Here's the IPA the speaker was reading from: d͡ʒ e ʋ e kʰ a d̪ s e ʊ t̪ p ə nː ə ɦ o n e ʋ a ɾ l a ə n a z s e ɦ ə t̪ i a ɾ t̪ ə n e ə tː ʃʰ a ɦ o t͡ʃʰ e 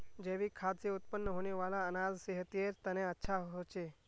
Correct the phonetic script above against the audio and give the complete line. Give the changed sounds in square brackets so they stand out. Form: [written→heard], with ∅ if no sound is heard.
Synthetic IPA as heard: d͡ʒ e ʋ [e→i] kʰ a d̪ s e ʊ t̪ p ə nː ə ɦ o n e ʋ a [ɾ→∅] l a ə n a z s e ɦ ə t̪ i [a→e] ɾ t̪ ə n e ə tː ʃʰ a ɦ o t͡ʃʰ e